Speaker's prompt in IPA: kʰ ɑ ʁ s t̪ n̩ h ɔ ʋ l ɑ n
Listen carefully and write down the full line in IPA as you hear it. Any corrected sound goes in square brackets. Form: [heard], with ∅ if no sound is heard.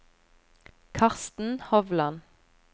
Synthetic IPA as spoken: kʰ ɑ ʁ s t̪ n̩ h ɔ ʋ l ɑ n